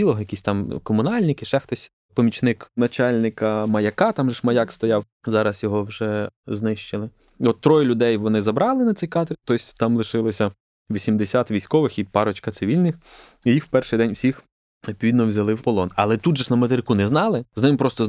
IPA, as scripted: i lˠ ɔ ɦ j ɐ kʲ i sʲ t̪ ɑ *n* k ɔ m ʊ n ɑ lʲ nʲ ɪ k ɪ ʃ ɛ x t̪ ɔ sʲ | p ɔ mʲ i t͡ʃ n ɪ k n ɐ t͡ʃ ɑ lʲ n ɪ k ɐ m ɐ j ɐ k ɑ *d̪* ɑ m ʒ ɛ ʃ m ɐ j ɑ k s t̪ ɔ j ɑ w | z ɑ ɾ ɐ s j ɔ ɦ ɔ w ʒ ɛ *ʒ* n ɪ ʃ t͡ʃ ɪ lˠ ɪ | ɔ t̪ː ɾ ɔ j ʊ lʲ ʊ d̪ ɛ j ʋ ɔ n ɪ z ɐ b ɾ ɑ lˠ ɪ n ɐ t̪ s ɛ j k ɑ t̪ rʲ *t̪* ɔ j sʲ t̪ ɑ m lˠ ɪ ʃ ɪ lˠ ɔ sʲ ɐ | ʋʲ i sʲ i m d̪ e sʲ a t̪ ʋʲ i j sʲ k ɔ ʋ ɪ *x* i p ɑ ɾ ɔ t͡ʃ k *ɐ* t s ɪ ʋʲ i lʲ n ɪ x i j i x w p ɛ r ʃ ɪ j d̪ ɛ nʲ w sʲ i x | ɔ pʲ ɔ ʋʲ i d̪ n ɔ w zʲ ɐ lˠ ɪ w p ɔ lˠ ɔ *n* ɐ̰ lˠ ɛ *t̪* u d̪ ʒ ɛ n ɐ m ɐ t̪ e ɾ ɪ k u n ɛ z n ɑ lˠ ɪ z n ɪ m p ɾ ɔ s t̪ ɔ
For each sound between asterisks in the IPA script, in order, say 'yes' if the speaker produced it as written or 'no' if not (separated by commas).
no, no, no, yes, yes, yes, yes, yes